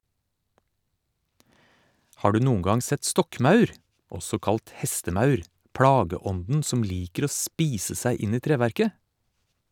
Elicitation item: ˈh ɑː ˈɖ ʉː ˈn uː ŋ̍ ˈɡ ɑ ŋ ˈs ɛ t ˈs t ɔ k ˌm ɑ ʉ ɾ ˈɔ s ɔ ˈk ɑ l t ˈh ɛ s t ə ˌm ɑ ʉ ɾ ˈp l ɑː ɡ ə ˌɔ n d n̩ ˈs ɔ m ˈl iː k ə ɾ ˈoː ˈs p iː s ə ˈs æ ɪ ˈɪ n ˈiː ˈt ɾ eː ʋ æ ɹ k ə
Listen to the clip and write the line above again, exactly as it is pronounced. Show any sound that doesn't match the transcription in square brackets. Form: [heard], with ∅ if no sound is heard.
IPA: ˈh ɑː ˈɖ ʉː ˈn uː ŋ̍ ˈɡ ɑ ŋ ˈs ɛ t ˈs t ɔ k ˌm ɑ ʉ ɾ ˈɔ s ɔ ˈk ɑ l t ˈh ɛ s t ə ˌm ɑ ʉ ɾ ˈp [ɽ] ɑː ɡ ə ˌɔ n d n̩ ˈs ɔ m ˈl iː k ə ɾ ˈoː ˈs p iː s ə ˈs æ ɪ ˈɪ n ˈiː ˈt ɾ eː ʋ æ [ɾ] k ə

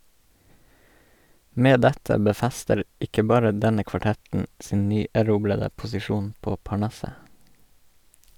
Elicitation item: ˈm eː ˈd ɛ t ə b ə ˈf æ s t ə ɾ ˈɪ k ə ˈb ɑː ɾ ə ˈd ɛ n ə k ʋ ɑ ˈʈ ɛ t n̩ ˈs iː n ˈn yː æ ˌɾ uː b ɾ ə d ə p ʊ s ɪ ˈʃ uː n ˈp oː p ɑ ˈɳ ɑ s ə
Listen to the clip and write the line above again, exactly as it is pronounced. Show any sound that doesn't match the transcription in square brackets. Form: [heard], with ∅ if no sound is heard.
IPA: ˈm eː ˈd ɛ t ə b ə ˈf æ s t ə ɾ ˈɪ k ə ˈb ɑː ɾ ə ˈd ɛ n ə k ʋ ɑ ˈʈ ɛ t n̩ ˈs iː n ˈn yː æ ˌɾ uː b [l] ə d ə p ʊ s ɪ ˈʃ uː n ˈp oː p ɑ ˈɳ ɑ s ə

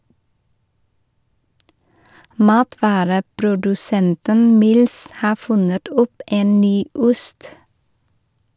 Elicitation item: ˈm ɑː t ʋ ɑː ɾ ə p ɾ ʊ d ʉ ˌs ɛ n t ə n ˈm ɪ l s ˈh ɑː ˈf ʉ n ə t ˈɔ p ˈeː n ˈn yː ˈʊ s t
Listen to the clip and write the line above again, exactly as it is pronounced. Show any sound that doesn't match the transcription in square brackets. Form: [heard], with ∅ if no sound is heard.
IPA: ˈm ɑː t ʋ ɑː ɾ ə p ɾ ʊ d ʉ ˌs ɛ n t ə n ˈm ɪ l s ˈh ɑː ˈf ʉ n ə t ˈɔ p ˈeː n ˈn yː ˈʊ s t

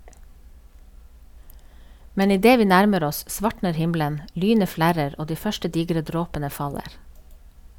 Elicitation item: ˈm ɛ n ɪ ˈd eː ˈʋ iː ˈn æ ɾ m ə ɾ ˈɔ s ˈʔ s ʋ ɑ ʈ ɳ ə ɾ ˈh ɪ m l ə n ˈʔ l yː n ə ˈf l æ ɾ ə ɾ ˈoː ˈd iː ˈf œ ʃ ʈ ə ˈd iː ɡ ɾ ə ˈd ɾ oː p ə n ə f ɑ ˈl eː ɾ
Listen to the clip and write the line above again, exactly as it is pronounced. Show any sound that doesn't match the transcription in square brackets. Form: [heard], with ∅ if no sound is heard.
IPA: ˈm ɛ n ɪ ˈd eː ˈʋ iː ˈn æ ɾ m ə ɾ ˈɔ s ˈʔ s ʋ ɑ ʈ ɳ ə ɾ ˈh ɪ m l ə n ˈʔ l yː n ə ˈf l æ ɾ ə ɾ ˈoː ˈd iː ˈf œ ʃ ʈ ə ˈd iː ɡ ɾ ə ˈd ɾ oː p ə n ə f ɑ ˈl eː ɾ

